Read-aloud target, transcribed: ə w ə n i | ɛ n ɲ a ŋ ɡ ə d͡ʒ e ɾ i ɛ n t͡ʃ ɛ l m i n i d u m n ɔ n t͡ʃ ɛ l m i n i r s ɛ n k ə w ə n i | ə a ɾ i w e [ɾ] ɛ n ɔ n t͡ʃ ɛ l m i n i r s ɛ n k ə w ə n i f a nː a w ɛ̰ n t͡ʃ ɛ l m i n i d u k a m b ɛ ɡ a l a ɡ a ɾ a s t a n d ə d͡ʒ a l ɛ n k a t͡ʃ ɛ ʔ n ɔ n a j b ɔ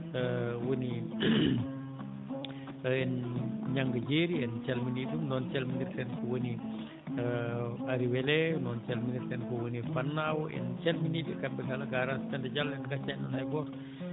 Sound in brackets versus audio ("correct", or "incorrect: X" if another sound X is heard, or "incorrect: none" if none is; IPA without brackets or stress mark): incorrect: l